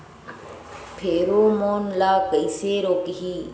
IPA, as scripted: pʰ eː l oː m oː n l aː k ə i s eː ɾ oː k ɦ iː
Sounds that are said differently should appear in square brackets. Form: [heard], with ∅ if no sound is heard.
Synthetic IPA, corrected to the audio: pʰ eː [ɾ] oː m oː n l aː k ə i s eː ɾ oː k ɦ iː